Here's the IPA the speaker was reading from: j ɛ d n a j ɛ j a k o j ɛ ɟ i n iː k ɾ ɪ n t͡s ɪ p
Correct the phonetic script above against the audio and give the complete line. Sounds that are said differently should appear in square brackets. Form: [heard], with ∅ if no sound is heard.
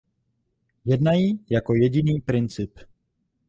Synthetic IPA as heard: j ɛ d n a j [i] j a k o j ɛ ɟ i n iː [p] ɾ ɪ n t͡s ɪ p